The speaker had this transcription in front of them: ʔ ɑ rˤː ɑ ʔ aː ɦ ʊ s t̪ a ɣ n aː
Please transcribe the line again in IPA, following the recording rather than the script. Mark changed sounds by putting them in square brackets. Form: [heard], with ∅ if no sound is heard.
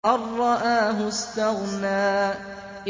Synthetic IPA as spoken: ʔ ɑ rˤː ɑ ʔ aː ɦ ʊ s t̪ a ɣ n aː